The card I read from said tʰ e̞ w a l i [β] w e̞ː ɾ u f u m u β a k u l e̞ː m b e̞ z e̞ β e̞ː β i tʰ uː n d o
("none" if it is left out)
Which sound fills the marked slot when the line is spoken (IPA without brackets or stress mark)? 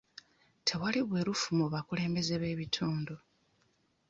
β